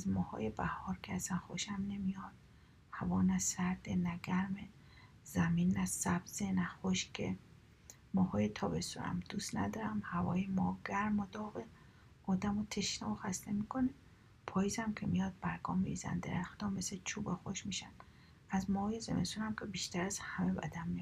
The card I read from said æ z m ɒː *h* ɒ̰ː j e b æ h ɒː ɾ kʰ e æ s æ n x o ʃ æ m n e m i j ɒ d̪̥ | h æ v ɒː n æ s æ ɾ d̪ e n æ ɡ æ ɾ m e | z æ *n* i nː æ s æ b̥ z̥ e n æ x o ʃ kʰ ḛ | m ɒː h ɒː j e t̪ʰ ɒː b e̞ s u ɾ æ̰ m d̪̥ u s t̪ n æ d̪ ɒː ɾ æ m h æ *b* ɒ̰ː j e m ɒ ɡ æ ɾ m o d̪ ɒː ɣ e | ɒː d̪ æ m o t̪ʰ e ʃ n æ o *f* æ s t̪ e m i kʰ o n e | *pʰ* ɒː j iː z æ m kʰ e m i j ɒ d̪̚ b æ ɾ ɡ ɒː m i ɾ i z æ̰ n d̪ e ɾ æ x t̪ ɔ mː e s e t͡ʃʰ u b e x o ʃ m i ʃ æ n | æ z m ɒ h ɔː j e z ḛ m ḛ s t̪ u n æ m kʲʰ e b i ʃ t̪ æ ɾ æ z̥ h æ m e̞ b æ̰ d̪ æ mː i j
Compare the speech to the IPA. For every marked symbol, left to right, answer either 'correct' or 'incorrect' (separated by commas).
correct, incorrect, incorrect, incorrect, correct